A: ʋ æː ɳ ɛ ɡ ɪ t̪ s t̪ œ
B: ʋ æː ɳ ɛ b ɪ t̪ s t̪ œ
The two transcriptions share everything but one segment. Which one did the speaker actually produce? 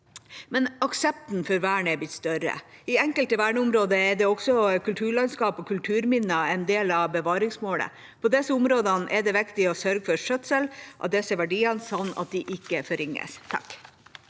B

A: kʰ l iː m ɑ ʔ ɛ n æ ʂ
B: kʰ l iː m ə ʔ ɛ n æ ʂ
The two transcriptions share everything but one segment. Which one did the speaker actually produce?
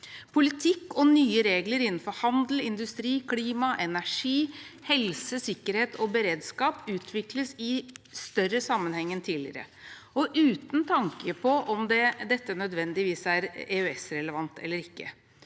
A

